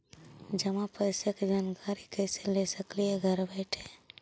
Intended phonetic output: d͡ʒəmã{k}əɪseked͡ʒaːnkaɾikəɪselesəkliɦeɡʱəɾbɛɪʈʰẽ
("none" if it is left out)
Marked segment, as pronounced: p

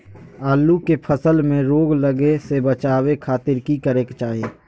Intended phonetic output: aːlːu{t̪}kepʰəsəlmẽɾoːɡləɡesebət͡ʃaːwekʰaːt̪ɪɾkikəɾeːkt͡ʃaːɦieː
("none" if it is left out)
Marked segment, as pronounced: none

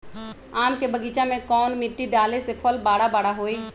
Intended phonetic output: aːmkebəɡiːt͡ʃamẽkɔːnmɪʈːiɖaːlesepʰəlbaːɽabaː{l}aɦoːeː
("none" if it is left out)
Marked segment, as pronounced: ɽ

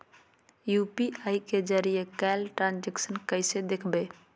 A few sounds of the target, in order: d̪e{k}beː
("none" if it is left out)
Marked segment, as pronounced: kʰ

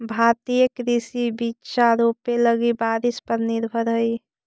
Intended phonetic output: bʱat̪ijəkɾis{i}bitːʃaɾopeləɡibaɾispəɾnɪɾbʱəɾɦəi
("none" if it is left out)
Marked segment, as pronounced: i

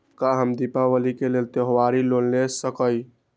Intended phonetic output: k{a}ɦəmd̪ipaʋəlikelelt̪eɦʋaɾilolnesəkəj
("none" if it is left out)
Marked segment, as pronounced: a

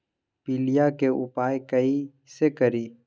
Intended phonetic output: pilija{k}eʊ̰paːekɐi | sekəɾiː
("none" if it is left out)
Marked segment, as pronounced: k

